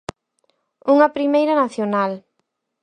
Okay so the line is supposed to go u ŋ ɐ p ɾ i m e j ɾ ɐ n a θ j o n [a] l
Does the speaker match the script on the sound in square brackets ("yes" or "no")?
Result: yes